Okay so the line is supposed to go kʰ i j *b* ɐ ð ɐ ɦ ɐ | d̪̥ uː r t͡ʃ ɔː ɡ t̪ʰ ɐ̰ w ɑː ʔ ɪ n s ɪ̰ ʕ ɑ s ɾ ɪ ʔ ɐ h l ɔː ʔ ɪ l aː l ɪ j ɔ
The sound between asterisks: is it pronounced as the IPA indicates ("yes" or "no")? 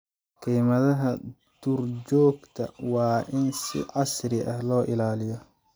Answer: no